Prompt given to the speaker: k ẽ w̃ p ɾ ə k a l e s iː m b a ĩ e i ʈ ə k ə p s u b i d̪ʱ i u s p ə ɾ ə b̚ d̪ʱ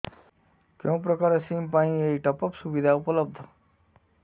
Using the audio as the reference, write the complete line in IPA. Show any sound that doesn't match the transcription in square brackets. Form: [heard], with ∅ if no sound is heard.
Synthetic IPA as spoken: k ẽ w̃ p ɾ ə k a [ɾ] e s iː m [p] a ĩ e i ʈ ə [p] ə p s u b i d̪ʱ [a] u [∅] p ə [l] ə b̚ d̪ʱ